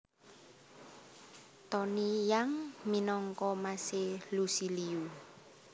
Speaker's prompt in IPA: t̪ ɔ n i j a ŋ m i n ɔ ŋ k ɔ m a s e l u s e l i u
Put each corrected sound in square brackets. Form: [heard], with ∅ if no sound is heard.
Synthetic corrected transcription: t̪ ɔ n i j a ŋ m i n ɔ ŋ k ɔ m a s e l u s [i] l i u